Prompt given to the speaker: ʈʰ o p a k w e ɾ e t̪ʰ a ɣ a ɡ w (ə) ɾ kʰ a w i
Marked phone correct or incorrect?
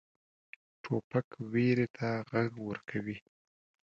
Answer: correct